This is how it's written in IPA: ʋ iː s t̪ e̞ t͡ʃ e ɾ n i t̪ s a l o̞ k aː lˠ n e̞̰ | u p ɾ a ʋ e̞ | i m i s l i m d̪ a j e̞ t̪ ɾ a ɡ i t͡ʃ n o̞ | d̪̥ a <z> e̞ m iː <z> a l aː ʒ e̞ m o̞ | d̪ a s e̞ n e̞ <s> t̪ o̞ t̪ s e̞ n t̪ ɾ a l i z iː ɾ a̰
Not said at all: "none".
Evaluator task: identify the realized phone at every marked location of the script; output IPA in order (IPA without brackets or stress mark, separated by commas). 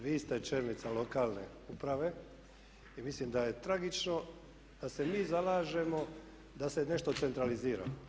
s, z, ʃ